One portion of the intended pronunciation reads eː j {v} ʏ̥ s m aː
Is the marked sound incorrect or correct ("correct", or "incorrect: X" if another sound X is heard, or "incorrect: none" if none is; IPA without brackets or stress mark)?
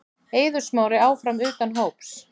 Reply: incorrect: ð